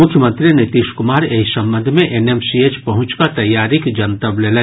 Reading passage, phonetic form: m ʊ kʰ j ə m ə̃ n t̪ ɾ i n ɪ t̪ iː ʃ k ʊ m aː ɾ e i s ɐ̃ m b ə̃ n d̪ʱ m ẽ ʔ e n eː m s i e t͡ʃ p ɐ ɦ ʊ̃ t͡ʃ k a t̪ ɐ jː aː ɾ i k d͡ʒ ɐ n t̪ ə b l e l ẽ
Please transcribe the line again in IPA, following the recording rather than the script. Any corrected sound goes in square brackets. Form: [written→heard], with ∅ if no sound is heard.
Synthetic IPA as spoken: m ʊ kʰ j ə m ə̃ n t̪ ɾ i n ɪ t̪ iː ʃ k ʊ m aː ɾ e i s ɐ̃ m b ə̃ n d̪ʱ m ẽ ʔ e n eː m s i e t͡ʃ p ɐ ɦ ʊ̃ t͡ʃ k a t̪ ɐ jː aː ɾ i k d͡ʒ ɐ n t̪ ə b l e l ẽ